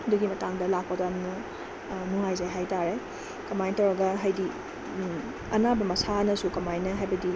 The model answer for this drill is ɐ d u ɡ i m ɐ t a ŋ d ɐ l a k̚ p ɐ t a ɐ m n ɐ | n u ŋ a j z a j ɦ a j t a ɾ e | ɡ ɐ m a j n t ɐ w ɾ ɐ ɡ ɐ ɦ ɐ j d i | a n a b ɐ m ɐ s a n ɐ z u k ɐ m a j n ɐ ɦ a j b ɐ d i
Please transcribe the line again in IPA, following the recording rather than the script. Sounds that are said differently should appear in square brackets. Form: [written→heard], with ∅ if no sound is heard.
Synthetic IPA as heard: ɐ d u ɡ i m ɐ t a ŋ d ɐ l a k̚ p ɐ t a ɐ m n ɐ | n u ŋ a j z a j ɦ a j t a ɾ e | [ɡ→k] ɐ m a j n t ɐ w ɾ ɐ ɡ ɐ ɦ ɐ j d i | [a→ɐ] n a b ɐ m ɐ s a n ɐ [z→s] u k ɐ m a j n ɐ ɦ a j b ɐ d i